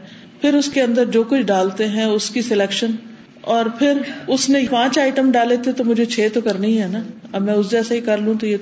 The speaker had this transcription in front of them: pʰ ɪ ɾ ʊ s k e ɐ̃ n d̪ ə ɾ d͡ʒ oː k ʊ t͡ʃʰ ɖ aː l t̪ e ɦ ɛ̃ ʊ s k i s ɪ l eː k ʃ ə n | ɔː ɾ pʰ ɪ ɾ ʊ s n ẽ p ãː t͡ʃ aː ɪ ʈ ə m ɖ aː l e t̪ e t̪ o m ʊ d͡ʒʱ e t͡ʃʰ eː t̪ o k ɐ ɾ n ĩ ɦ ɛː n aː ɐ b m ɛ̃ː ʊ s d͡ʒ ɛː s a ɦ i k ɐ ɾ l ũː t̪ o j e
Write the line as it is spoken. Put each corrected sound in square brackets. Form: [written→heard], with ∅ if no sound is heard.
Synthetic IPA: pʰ ɪ ɾ ʊ s k e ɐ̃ n d̪ ə ɾ d͡ʒ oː k ʊ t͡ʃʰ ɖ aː l t̪ e ɦ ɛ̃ ʊ s k i s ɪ l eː k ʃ ə n | ɔː ɾ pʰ ɪ ɾ ʊ s n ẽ p ãː t͡ʃ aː ɪ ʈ ə m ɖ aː l e t̪ e t̪ o m ʊ d͡ʒʱ e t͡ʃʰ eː t̪ o k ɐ ɾ n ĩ ɦ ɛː n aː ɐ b m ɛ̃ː ʊ s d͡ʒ ɛː s a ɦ i k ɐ ɾ l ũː t̪ o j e